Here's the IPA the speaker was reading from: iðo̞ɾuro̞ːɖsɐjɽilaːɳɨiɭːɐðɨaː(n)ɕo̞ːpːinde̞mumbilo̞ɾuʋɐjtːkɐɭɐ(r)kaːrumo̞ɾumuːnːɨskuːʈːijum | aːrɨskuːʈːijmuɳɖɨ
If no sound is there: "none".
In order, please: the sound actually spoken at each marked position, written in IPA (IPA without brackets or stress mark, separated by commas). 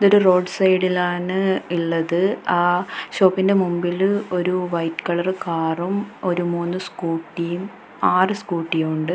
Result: none, r